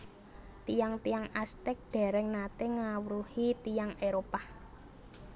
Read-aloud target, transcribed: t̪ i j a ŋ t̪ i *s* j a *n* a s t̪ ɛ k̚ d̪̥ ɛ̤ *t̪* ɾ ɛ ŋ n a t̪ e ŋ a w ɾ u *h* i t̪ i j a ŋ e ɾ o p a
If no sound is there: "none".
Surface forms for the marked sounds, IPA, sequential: none, ŋ, none, h

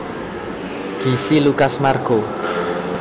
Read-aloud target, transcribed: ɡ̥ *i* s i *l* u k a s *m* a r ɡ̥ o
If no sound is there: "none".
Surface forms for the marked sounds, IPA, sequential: i, l, m

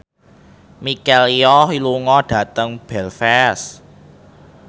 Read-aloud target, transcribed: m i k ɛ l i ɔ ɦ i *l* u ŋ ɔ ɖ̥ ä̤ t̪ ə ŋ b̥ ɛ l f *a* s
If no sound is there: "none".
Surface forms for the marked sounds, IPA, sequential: l, ɛ

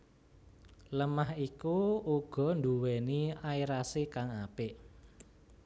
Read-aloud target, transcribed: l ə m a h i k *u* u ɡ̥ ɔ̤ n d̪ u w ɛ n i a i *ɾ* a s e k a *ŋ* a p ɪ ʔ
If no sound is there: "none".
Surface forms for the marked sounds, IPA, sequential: u, ɾ, ŋ

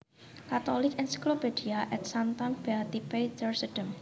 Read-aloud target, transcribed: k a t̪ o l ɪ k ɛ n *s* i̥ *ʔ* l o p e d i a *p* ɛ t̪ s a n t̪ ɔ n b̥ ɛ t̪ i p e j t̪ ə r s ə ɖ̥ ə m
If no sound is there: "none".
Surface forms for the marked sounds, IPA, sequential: s, k, ʔ

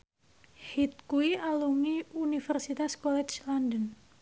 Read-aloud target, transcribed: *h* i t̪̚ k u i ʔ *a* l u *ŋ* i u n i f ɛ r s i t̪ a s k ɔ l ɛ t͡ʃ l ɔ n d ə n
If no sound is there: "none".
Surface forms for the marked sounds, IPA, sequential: h, a, ŋ

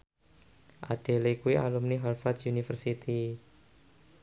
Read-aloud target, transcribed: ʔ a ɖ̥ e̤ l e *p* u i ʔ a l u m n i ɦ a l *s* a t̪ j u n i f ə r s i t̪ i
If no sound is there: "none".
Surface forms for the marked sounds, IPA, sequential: k, f

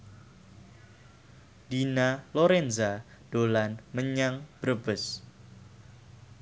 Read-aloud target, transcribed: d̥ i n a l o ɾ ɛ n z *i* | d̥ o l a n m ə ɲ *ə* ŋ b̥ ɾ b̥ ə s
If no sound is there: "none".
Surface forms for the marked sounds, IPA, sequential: a, a

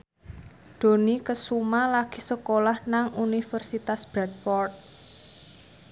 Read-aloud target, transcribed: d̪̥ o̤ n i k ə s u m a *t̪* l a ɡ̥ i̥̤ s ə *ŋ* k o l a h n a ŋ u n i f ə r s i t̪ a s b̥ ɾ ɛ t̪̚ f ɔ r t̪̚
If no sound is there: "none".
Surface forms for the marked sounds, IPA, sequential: none, none

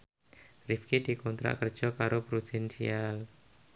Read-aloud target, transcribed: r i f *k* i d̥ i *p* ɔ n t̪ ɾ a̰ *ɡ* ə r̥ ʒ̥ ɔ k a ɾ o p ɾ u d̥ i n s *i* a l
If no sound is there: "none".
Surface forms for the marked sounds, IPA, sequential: k, k, k, i

